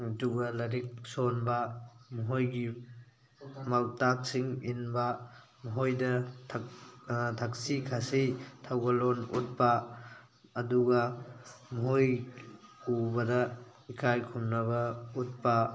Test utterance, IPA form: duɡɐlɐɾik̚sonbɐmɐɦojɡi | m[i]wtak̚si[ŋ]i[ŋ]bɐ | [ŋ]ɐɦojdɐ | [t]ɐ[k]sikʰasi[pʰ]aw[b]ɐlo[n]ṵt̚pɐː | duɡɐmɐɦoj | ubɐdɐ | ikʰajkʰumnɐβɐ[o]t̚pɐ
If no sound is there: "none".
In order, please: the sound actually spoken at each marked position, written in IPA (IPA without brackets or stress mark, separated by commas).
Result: a, ŋ, n, m, tʰ, k, tʰ, ɡ, n, u